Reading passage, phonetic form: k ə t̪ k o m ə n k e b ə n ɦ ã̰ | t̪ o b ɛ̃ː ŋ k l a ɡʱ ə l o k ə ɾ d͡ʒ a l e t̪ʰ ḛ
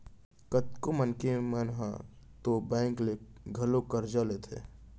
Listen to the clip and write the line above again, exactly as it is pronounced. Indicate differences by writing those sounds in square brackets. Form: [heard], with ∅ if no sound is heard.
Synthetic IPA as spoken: k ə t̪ k o m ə n k e [m] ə n ɦ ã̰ | t̪ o b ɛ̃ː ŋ k l [e] ɡʱ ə l o k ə ɾ d͡ʒ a l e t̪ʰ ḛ